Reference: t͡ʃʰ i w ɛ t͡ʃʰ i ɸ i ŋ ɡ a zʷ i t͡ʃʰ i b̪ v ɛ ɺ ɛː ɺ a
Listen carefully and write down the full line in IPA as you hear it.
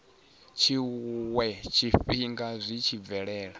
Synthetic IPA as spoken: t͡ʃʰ i w ɛ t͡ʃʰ i ɸ i ŋ ɡ a zʷ i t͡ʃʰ i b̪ v ɛ ɺ ɛː ɺ a

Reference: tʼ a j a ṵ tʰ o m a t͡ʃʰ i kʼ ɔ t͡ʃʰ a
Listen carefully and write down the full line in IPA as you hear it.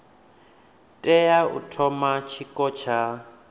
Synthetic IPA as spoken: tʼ ɛ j a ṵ tʰ ɔ m a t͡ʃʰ i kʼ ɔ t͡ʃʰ a

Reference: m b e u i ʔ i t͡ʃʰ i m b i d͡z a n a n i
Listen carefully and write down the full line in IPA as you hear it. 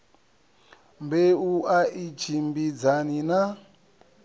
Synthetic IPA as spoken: m b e u a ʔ i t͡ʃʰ i m b i d͡z a n i n a

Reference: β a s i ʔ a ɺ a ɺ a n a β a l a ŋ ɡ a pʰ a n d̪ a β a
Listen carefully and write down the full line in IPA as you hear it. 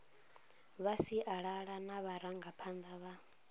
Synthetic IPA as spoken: β a s i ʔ a ɺ a ɺ a n a β a ɾ a ŋ ɡ a pʰ a n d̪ a β a

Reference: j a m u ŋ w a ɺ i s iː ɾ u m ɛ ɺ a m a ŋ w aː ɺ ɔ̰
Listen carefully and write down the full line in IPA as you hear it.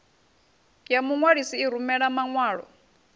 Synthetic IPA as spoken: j a m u ŋ w a ɺ i s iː ɾ u m ɛ ɺ a m a ŋ w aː ɺ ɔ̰

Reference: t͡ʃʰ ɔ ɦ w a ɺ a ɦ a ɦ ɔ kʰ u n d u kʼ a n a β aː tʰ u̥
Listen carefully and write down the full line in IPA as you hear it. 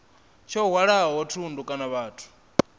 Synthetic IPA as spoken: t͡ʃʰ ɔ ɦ w a ɺ a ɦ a ɦ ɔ tʰ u n d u kʼ a n a β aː tʰ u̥

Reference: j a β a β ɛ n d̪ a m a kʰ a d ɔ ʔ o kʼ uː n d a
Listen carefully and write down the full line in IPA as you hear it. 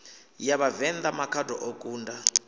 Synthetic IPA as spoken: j a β a v ɛ n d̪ a m a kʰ a d ɔ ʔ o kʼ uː n d a

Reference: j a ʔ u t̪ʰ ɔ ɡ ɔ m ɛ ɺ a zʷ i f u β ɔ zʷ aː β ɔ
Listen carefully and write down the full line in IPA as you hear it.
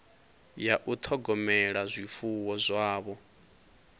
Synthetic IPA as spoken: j a ʔ u t̪ʰ ɔ ɡ ɔ m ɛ ɺ a zʷ i f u w ɔ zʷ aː β ɔ

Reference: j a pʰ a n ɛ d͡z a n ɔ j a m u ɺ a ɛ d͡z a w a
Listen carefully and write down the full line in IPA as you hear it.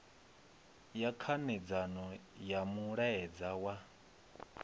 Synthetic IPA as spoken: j a kʰ a n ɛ d͡z a n ɔ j a m u ɺ a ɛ d͡z a w a

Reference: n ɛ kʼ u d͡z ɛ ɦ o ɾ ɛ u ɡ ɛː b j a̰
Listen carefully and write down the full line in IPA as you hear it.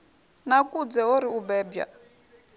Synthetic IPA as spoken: n a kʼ u d͡z ɛ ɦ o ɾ i u b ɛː b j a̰

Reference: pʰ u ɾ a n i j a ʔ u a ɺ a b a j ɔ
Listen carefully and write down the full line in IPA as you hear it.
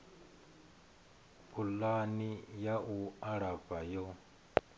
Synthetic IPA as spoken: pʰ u l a n i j a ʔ u a ɺ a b a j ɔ

